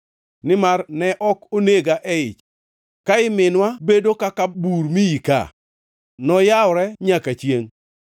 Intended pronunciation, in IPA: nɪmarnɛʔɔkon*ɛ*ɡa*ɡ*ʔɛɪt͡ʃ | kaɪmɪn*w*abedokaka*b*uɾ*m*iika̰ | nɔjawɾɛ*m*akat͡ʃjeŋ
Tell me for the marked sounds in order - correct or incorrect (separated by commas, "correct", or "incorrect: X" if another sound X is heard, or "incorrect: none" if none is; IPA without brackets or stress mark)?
incorrect: e, incorrect: none, correct, correct, correct, incorrect: ɲ